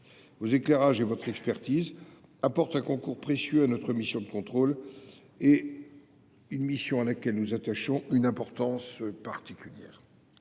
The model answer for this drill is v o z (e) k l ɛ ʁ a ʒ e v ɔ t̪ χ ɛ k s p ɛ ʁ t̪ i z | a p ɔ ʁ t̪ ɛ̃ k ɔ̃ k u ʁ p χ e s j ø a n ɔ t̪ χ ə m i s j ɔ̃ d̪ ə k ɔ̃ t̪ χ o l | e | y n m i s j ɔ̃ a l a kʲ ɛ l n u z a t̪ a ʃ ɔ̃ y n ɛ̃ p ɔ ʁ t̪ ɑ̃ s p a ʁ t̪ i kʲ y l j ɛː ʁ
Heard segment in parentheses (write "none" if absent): e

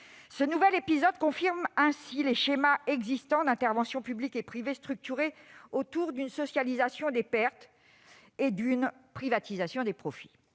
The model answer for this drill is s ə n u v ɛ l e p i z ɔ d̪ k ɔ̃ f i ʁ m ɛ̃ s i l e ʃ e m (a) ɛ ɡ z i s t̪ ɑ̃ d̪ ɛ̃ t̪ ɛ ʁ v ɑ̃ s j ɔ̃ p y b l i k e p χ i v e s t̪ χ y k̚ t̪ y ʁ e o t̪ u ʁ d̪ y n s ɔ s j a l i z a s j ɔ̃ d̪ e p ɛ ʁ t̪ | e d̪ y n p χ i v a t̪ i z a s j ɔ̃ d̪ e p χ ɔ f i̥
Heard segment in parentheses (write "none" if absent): a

